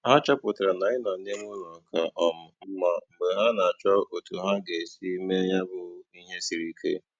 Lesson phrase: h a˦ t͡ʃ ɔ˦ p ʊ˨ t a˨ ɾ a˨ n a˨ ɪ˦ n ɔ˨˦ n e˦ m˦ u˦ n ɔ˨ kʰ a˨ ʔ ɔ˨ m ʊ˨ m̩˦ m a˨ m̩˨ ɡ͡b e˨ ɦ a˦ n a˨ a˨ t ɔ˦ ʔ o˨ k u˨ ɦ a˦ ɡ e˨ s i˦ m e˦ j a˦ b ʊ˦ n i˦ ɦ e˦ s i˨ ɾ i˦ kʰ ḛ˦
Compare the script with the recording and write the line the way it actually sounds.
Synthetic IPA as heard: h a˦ t͡ʃ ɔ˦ p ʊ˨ t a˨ ɾ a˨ n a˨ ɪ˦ n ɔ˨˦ n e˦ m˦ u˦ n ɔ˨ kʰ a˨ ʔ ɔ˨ m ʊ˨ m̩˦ m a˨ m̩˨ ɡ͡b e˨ ɦ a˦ n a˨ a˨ t͡ʃ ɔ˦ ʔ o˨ t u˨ ɦ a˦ ɡ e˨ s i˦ m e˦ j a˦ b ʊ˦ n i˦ ɦ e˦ s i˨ ɾ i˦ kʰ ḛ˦